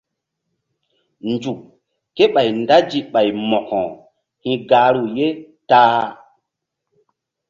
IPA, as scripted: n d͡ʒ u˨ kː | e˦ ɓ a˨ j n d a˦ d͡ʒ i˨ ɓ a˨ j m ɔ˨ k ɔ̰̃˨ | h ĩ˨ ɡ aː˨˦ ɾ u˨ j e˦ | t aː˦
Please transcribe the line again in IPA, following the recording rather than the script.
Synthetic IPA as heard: n d͡ʒ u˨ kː | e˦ ɓ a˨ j n d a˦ d͡ʒ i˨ ɓ a˨ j m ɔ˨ k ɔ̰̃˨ | h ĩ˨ ɡ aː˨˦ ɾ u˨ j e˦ | t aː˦

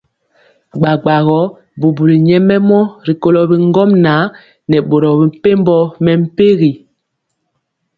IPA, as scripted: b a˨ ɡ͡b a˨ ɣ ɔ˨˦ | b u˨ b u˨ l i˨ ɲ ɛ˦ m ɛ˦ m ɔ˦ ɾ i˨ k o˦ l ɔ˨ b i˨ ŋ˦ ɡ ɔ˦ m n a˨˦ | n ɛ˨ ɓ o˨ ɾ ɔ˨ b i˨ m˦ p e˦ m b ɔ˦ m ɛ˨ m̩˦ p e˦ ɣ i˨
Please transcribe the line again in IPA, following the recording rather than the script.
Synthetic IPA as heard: ɡ͡b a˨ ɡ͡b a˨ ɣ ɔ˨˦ | b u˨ b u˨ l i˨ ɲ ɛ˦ m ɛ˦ m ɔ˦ ɾ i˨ k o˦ l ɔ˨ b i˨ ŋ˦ ɡ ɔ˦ m n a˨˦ | n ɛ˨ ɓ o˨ ɾ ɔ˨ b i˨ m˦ p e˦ m b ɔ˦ m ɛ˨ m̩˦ p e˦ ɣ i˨

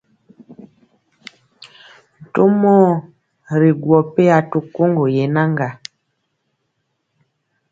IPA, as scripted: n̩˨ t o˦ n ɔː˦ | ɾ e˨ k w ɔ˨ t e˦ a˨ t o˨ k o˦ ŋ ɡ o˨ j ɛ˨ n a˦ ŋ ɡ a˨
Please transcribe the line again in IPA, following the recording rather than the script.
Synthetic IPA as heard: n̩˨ t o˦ m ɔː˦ | ɾ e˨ ɡ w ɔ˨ p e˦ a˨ t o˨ k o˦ ŋ ɡ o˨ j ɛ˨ n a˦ ŋ ɡ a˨

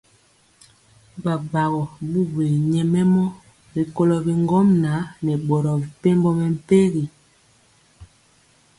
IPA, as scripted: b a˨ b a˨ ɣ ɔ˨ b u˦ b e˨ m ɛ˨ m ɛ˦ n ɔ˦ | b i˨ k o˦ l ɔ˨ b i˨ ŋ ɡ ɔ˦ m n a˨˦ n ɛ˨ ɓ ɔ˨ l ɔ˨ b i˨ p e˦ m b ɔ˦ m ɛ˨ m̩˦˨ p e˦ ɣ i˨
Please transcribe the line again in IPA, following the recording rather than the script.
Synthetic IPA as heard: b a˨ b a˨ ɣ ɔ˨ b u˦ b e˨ ɲ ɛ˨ m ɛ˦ m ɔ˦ | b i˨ k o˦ l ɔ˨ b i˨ ŋ ɡ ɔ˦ m n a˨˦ n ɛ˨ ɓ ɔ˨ ɾ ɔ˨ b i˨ p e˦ m b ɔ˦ m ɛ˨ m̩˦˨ p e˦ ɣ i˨

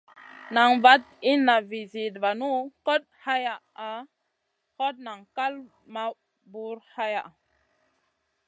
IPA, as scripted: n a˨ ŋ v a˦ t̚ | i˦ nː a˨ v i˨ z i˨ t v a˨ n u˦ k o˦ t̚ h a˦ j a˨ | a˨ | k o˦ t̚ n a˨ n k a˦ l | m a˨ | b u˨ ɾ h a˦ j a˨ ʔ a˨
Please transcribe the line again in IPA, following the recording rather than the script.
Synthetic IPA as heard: n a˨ ŋ v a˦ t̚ | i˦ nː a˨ v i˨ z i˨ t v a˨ n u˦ k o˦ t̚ h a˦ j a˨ | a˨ | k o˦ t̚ n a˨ ŋ k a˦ l | m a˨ | b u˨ ɾ h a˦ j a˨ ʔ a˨

